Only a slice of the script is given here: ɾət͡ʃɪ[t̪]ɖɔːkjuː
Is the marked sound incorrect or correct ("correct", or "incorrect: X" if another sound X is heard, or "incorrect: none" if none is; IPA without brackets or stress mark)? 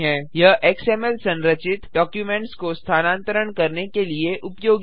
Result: correct